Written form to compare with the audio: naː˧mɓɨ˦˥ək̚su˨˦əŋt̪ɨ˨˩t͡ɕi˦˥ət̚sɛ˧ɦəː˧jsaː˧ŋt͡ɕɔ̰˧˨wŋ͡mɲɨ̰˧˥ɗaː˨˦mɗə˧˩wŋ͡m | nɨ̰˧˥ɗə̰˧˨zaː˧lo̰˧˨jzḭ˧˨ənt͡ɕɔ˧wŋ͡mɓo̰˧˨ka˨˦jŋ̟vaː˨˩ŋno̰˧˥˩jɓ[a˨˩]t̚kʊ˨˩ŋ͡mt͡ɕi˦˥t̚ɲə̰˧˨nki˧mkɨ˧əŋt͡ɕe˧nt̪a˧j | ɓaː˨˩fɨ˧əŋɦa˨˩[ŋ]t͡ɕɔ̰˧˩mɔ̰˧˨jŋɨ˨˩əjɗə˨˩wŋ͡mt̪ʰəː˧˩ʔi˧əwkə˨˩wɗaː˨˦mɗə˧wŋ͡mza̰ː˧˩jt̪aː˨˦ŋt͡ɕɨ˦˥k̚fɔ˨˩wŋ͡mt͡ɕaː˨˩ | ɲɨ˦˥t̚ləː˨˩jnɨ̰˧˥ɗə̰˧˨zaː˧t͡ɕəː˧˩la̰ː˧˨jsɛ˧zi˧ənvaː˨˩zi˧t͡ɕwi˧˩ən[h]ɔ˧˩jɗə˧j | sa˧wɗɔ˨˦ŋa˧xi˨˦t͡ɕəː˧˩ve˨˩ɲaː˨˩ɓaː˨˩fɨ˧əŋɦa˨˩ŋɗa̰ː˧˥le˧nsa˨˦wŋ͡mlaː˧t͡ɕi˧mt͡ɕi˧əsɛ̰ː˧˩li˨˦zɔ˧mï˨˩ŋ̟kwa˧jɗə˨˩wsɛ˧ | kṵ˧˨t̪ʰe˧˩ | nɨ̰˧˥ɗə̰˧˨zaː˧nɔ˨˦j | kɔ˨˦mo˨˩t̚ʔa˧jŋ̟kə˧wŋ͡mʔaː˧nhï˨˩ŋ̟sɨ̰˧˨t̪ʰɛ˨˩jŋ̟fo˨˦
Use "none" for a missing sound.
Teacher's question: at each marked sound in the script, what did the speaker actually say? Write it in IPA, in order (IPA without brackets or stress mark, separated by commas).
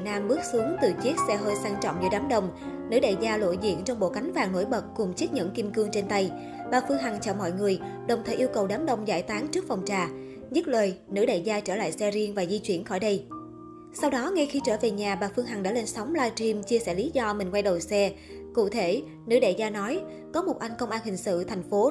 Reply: ə˨˩, ŋ, x